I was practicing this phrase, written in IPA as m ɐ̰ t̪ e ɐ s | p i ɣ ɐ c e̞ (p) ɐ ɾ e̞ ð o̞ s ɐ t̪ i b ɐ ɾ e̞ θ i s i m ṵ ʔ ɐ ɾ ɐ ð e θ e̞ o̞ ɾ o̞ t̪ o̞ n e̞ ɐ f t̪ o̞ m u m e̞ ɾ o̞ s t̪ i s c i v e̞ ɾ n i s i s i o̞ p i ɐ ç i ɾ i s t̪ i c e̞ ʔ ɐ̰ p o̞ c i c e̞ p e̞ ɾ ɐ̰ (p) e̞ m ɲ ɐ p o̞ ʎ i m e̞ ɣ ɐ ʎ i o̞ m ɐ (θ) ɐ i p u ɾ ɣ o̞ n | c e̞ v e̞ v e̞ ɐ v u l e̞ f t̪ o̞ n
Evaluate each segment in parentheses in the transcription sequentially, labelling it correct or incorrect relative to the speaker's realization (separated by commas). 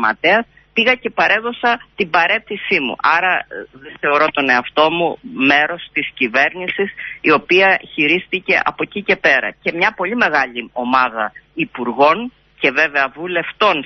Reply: correct, incorrect, incorrect